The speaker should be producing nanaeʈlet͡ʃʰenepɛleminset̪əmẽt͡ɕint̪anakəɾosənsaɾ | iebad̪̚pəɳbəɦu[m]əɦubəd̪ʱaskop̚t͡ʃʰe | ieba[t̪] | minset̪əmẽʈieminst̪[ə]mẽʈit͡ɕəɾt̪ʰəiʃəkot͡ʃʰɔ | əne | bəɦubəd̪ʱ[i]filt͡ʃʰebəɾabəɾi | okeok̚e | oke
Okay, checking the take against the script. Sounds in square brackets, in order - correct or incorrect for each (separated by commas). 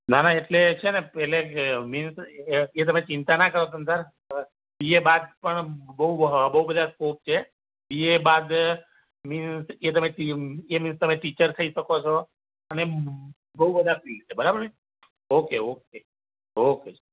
incorrect, incorrect, correct, incorrect